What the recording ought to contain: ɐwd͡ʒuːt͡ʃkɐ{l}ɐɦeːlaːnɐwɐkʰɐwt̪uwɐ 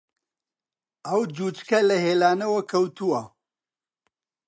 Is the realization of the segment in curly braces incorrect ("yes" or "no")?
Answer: no